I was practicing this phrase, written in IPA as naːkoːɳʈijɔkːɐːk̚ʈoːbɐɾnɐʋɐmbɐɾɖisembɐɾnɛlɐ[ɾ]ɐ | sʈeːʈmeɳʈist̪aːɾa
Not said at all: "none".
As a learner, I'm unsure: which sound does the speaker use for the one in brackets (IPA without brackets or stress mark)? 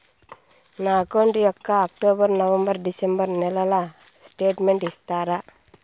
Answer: l